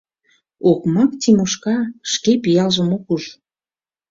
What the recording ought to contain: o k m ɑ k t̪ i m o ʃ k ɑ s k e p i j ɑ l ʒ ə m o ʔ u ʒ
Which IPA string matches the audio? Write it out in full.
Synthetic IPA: o k m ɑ k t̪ i m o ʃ k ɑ ʃ k e p i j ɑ l ʒ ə m o k u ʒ

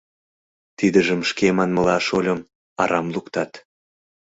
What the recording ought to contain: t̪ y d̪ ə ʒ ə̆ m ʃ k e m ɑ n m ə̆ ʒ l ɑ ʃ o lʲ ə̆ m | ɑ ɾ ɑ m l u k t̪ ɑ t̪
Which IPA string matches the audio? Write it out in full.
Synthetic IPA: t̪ i d̪ ə ʒ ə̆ m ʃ k e m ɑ n m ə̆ l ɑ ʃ o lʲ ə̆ m | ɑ ɾ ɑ m l u k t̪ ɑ t̪

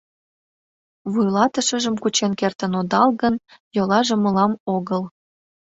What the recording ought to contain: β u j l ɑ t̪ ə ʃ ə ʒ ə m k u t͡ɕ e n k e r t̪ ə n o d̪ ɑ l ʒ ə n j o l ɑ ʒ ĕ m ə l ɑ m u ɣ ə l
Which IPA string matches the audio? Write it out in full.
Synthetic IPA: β u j l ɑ t̪ ə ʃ ə ʒ ə m k u t͡ɕ e n k e r t̪ ə n o d̪ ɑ l ɣ ə n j o l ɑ ʒ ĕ m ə l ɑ m o ɣ ə l

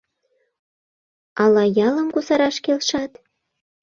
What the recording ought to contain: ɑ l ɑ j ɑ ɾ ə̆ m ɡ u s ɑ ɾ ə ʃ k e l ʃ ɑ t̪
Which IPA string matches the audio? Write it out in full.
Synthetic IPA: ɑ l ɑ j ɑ l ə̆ m k u s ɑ ɾ ɑ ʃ k e l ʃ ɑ t̪

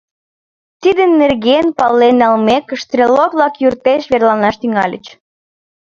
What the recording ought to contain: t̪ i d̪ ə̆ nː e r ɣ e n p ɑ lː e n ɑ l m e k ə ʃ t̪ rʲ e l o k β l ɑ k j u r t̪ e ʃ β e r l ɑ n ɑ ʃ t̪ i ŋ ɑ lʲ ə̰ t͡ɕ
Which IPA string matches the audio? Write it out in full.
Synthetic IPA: t̪ i d̪ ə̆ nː e r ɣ e n p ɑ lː e n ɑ l m e k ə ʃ t̪ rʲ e l o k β l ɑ k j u r t̪ e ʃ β e r l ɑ n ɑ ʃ t̪ y ŋ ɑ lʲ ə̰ t͡ɕ

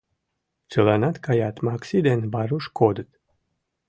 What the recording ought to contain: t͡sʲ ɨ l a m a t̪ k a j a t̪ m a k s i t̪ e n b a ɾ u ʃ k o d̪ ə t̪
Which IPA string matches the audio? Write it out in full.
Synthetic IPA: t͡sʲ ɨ l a n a t̪ k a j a t̪ m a k s i d̪ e n b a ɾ u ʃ k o d̪ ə t̪

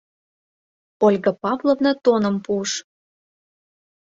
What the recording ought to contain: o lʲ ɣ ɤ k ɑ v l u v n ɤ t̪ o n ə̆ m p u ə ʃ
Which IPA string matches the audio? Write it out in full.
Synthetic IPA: o lʲ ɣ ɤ p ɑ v l o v n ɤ t̪ o n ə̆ m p u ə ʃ

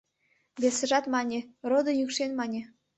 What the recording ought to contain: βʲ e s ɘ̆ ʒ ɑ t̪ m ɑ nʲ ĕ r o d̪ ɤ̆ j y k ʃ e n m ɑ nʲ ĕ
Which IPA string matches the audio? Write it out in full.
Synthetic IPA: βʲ e s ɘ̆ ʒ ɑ t̪ m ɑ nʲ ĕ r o d̪ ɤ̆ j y k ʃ e n m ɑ nʲ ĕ

